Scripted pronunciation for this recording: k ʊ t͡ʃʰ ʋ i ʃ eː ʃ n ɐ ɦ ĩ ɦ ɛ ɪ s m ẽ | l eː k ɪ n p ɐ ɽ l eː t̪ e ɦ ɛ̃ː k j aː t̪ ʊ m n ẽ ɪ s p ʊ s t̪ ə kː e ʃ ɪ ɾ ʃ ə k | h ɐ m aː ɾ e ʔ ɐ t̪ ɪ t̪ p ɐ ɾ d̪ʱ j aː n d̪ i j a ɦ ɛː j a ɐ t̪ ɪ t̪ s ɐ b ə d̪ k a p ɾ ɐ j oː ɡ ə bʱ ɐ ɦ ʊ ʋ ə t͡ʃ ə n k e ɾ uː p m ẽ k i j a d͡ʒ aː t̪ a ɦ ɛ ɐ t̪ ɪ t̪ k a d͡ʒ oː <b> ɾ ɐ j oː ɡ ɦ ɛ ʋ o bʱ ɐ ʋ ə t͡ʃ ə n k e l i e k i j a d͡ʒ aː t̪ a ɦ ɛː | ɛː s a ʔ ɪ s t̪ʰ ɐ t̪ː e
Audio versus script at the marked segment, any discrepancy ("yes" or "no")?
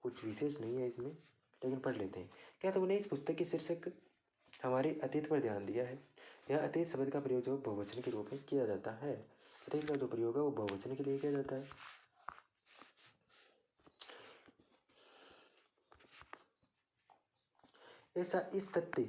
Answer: yes